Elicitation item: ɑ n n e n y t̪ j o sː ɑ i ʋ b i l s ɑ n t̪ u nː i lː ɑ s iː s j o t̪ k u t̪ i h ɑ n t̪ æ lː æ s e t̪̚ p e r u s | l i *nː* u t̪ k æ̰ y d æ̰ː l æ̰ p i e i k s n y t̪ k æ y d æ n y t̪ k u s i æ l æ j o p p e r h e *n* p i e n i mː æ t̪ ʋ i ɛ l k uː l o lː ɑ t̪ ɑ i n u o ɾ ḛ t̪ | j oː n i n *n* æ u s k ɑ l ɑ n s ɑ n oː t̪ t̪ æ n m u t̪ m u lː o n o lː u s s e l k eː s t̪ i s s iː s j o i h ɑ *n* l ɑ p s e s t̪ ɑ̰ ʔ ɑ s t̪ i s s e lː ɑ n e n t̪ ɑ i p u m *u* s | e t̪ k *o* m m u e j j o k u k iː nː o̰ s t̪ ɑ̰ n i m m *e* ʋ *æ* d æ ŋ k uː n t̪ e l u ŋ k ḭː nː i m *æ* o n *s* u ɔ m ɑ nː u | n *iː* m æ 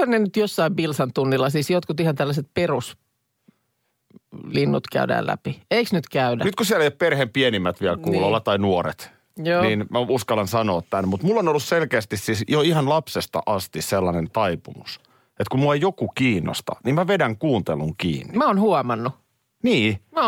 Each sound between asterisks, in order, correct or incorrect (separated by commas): correct, incorrect, incorrect, correct, correct, incorrect, incorrect, incorrect, correct, incorrect, correct